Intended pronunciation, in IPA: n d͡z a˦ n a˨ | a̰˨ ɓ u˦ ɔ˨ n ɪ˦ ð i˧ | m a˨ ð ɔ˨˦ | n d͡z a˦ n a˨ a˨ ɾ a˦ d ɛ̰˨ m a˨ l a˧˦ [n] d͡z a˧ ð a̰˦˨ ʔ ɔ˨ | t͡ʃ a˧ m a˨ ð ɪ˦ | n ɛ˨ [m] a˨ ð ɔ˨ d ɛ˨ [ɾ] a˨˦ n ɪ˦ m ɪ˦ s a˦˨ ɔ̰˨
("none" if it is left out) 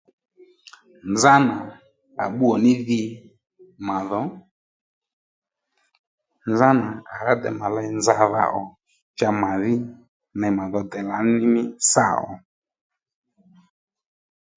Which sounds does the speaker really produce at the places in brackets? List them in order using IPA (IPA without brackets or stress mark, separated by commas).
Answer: n, m, l